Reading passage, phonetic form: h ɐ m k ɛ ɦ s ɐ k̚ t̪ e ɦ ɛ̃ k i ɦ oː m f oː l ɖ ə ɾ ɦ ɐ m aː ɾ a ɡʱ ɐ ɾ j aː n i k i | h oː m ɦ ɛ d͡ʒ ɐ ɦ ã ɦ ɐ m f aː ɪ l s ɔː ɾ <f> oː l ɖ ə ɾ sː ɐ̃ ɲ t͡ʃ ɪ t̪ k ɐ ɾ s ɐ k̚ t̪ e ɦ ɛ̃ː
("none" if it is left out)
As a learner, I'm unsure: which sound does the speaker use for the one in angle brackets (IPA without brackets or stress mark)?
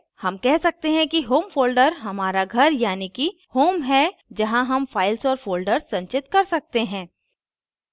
f